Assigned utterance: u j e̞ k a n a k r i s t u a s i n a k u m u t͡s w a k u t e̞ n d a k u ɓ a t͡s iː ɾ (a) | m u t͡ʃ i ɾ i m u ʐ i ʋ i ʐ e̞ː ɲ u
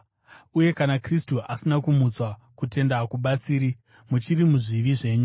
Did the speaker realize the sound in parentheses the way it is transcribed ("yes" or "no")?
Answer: no